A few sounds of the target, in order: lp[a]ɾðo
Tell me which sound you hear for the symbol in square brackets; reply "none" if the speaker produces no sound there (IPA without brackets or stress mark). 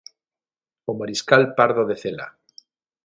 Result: a